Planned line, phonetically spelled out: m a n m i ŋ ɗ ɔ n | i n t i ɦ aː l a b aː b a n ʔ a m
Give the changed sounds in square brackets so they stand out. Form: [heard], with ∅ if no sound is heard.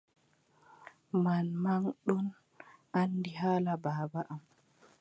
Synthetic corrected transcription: m a n m [a] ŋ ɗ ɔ n | [a] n [d] i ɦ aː l a b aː b a [∅] ʔ a m